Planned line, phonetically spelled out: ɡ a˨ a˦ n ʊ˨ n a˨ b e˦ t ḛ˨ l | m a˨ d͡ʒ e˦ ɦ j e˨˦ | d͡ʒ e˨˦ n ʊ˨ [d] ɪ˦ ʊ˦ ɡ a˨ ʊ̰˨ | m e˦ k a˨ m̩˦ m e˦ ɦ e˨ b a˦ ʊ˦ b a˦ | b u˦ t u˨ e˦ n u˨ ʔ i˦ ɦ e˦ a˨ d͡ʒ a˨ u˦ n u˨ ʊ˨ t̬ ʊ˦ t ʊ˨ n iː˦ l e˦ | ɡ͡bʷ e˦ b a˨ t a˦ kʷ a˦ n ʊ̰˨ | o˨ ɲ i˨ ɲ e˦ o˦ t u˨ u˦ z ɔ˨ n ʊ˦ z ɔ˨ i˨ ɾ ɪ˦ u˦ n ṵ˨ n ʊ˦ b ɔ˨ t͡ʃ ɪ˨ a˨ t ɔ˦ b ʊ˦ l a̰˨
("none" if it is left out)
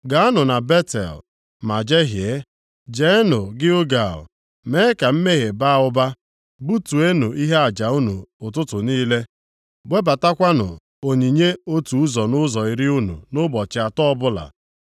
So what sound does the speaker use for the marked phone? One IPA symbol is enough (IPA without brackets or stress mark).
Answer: ɡ